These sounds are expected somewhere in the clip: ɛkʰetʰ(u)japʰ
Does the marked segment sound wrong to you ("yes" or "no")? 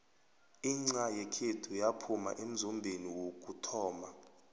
no